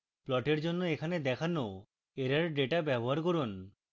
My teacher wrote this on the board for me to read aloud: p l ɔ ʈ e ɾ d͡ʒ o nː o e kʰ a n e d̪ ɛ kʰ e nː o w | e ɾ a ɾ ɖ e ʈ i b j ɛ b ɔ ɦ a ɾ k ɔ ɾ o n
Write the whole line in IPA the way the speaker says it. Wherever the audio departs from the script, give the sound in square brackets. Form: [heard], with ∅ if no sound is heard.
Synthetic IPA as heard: p l ɔ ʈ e ɾ d͡ʒ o nː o e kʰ a n e d̪ ɛ kʰ [a] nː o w | e ɾ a ɾ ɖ e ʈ [a] b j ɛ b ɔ ɦ a ɾ k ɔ ɾ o n